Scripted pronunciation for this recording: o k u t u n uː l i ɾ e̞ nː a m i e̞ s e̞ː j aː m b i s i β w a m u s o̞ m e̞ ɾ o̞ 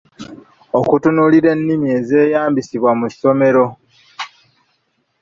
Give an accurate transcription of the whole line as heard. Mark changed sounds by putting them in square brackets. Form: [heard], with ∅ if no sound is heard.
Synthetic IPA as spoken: o k u t u n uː l i ɾ e̞ nː [i] m i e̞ [z] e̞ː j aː m b i s i β w a m u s o̞ m e̞ ɾ o̞